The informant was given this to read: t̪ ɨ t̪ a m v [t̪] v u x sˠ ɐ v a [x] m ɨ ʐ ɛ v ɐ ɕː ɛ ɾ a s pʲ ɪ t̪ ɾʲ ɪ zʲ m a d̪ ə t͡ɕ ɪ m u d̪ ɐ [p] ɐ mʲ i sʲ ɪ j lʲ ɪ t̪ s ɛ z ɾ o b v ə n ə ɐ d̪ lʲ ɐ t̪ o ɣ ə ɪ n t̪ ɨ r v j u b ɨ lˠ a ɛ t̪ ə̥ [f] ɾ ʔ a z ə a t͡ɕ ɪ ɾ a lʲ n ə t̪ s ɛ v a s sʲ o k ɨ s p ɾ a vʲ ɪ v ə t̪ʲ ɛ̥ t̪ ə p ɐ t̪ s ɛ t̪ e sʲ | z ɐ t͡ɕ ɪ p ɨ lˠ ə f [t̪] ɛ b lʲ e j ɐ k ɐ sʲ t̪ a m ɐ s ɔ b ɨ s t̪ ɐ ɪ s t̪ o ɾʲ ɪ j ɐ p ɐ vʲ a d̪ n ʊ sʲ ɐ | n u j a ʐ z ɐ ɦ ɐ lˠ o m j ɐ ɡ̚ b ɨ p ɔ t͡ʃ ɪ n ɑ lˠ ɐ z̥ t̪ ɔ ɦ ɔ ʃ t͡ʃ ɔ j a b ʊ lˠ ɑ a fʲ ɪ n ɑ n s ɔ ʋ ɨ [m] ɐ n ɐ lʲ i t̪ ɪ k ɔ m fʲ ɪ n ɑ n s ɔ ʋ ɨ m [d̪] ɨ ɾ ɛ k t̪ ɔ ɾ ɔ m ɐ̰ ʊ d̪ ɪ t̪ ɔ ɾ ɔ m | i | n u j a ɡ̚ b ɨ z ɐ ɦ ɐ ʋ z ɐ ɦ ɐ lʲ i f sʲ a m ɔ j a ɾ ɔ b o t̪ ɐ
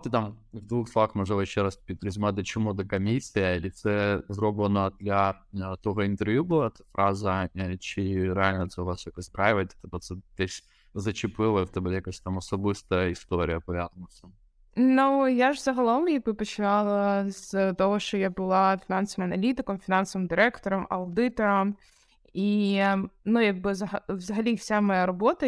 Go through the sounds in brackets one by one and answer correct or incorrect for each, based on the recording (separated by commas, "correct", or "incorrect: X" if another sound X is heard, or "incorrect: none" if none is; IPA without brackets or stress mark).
incorrect: d̪, correct, incorrect: k, correct, correct, correct, correct